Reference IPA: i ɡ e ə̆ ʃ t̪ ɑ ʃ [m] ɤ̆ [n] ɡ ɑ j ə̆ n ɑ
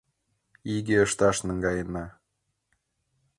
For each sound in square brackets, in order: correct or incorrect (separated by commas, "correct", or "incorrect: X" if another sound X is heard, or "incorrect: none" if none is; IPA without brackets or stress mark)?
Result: incorrect: n, incorrect: ŋ